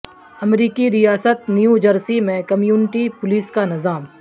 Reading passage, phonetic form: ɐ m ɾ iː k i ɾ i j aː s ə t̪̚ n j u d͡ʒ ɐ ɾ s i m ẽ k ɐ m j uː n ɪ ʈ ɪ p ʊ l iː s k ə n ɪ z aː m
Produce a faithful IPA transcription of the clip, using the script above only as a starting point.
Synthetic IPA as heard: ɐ m ɾ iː k i ɾ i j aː s ə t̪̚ n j u d͡ʒ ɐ ɾ s i m ẽ k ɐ m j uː n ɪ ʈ i p ʊ l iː s k a n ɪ z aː m